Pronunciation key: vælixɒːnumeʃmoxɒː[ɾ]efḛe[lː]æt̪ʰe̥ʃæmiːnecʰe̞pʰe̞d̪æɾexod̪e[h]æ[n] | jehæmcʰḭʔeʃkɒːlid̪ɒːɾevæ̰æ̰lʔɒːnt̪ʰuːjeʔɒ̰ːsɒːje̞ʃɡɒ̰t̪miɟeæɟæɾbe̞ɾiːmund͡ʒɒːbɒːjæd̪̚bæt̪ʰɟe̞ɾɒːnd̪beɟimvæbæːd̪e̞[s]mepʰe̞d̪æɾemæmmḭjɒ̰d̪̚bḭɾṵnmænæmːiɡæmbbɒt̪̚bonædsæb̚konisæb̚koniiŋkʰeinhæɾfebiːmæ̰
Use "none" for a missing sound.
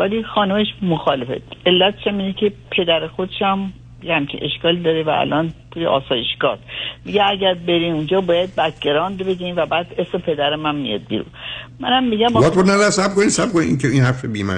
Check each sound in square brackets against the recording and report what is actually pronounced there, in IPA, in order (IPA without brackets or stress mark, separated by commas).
l, lː, ʃ, m, s